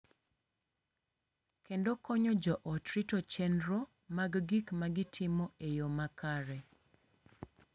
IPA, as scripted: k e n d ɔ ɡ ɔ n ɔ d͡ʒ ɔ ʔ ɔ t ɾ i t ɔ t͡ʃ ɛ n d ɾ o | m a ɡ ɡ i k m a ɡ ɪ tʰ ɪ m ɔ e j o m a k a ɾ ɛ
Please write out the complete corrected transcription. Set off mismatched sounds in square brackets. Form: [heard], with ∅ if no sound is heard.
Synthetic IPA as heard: k e n d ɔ [k] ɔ [ɲ] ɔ d͡ʒ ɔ ʔ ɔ t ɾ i t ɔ t͡ʃ ɛ n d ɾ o | m a ɡ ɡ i k m a ɡ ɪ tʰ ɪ m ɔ e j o m a k a ɾ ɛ